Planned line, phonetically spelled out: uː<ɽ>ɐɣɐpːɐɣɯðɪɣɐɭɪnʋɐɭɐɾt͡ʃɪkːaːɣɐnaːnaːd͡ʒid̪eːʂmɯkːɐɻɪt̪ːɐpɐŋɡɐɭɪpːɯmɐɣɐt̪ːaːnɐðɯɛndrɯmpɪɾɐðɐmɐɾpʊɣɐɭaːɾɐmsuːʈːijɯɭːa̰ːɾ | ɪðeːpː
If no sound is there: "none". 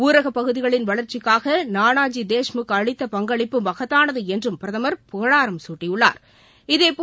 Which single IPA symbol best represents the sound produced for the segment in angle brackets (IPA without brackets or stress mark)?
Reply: ɾ